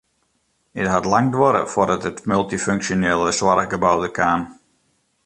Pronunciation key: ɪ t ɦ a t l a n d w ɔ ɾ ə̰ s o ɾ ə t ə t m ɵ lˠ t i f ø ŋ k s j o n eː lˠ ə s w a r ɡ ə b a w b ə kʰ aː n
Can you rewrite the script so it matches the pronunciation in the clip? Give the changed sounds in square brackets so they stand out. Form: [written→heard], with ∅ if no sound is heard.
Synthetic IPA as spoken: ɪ t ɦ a t l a [n→ŋ] d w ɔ ɾ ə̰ [s→f] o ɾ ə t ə t m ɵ lˠ t i f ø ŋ k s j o n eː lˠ ə s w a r ɡ ə b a w [b→d] ə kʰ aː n